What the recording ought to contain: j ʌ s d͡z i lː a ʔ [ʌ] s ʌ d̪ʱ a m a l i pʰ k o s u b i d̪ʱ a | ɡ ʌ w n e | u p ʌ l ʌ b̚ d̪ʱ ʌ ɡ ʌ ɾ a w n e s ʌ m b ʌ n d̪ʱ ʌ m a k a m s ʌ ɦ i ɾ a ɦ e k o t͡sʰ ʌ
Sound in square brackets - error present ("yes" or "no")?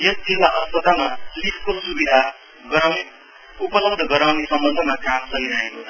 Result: no